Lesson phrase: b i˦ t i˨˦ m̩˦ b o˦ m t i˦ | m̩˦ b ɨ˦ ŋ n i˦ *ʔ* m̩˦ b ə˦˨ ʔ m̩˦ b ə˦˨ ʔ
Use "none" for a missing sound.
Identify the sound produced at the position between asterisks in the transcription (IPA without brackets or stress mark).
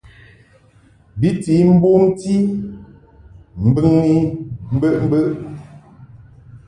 none